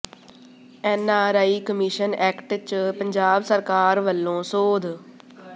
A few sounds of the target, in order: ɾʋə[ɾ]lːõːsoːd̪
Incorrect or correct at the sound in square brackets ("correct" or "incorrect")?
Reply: incorrect